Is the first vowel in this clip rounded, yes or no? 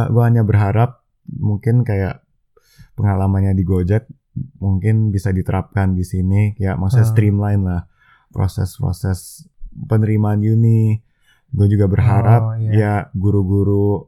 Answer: yes